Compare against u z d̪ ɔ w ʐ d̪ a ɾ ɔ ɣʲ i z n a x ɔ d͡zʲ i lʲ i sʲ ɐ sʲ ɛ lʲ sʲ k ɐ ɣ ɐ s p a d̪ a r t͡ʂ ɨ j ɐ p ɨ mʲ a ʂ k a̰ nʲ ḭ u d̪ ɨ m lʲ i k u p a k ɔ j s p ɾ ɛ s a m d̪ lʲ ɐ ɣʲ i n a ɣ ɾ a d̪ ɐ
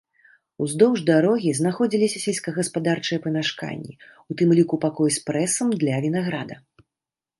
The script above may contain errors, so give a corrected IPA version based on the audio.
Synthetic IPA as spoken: u z d̪ ɔ w ʐ d̪ a ɾ ɔ ɣʲ i z n a x ɔ d͡zʲ i lʲ i sʲ ɐ sʲ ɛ lʲ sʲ k ɐ ɣ ɐ s p a d̪ a r t͡ʂ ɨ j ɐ p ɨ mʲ a ʂ k a̰ nʲː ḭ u t̪ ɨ m lʲ i k u p a k ɔ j s p ɾ ɛ s ɐ m d̪ lʲ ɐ vʲ i n a ɣ ɾ a d̪ ɐ